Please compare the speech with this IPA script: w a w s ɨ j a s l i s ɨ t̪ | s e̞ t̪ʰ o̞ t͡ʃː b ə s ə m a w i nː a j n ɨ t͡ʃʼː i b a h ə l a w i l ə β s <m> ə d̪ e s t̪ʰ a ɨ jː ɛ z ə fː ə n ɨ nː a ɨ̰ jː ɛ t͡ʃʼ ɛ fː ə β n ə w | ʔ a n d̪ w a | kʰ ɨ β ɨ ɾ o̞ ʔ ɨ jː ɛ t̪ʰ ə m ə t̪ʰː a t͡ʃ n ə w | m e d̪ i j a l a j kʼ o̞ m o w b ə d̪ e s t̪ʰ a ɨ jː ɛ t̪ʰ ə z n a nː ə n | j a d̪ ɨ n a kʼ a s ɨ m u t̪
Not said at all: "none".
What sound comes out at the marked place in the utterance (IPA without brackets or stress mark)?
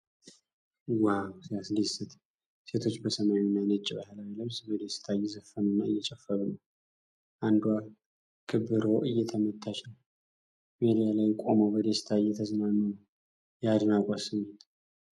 b